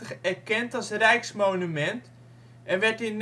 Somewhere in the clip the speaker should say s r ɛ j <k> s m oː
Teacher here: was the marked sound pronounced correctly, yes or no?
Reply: yes